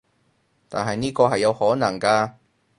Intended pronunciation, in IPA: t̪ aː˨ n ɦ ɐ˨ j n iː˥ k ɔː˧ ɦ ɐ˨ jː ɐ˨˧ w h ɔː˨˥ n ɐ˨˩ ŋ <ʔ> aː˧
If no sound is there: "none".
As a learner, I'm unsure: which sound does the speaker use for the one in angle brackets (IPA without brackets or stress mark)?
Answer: k